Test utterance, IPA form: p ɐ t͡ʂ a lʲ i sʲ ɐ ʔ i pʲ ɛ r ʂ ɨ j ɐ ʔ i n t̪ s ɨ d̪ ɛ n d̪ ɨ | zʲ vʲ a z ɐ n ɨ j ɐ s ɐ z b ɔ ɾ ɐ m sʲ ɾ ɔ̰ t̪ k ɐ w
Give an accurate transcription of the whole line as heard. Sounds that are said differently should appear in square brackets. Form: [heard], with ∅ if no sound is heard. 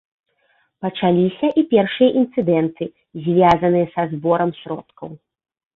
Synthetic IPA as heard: p ɐ t͡ʂ a lʲ i sʲ ɐ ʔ i pʲ ɛ r ʂ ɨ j ɐ ʔ i n t̪ s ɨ d̪ ɛ n [t̪] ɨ | zʲ vʲ a z ɐ n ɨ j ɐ s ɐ z b ɔ ɾ ɐ m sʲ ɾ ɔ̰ t̪ k ɐ w